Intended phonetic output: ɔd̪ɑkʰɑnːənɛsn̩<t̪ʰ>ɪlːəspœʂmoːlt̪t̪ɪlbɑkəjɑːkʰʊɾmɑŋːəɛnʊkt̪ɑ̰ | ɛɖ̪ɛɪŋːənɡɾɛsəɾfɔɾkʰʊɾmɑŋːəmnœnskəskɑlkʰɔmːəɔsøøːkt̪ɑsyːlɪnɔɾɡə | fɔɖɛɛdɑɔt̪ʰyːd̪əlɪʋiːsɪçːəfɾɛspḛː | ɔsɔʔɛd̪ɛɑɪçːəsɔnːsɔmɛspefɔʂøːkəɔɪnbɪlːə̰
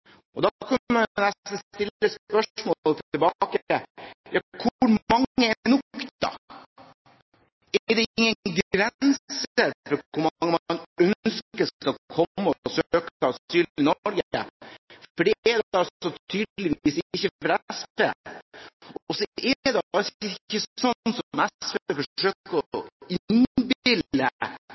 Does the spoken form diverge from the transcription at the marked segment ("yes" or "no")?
yes